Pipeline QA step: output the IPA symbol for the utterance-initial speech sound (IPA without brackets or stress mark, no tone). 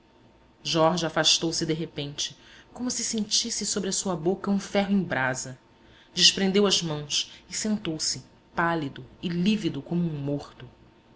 ʒ